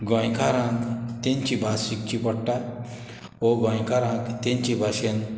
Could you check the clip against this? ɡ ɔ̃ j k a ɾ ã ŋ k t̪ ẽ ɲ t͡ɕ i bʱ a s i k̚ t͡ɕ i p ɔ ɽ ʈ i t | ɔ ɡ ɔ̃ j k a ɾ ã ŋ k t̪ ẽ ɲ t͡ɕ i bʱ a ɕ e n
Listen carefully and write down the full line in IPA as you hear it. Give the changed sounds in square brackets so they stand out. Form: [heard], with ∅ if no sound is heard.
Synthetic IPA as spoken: ɡ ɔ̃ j k a ɾ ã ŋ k t̪ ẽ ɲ t͡ɕ i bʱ a s i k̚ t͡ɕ i p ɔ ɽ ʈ [a] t | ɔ ɡ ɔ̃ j k a ɾ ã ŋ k t̪ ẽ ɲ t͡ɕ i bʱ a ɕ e n